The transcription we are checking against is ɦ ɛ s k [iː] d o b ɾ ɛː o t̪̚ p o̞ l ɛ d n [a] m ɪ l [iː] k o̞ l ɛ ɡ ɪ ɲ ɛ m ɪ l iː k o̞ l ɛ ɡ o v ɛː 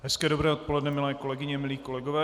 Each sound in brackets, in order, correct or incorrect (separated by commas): incorrect, incorrect, incorrect